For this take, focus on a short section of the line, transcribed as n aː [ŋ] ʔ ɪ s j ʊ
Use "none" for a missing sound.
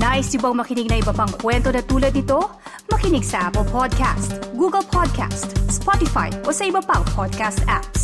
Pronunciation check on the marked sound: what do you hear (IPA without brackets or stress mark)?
none